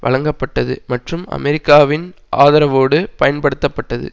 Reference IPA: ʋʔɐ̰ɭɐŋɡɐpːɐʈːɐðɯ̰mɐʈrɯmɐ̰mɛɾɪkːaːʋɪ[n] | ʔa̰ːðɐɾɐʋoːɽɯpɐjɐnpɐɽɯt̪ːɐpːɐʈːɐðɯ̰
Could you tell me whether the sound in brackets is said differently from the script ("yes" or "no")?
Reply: no